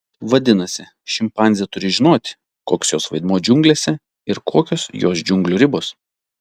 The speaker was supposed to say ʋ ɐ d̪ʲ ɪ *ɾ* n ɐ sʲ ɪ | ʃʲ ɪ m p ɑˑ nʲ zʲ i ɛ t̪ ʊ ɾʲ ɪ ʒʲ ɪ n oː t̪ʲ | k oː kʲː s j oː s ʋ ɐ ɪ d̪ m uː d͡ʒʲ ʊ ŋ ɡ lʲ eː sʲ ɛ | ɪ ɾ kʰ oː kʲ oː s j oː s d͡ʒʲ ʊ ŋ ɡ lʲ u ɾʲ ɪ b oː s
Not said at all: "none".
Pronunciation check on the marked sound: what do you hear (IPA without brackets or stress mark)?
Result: none